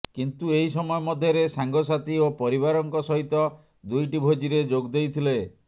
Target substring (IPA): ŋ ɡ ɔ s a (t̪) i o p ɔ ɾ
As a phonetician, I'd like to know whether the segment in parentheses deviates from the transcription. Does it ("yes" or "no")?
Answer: no